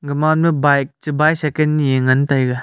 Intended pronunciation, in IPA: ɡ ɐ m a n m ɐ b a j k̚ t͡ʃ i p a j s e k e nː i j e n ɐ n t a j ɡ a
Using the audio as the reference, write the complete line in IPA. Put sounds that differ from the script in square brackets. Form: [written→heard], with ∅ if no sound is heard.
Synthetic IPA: ɡ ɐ m a n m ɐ b a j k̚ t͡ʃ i [p→b] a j s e k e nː i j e [n→ŋ] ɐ n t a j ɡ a